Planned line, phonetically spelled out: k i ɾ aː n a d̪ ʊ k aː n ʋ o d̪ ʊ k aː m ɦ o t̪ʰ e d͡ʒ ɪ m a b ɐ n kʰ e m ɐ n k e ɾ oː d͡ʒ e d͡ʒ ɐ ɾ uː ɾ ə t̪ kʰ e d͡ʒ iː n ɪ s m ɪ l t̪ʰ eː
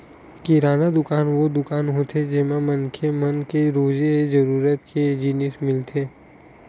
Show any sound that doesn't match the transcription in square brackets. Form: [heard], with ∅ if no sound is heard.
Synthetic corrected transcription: k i ɾ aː n a d̪ ʊ k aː n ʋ o d̪ ʊ k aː [n] ɦ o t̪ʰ e d͡ʒ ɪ m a [m] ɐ n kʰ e m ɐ n k e ɾ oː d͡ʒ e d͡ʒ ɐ ɾ uː ɾ ə t̪ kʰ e d͡ʒ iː n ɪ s m ɪ l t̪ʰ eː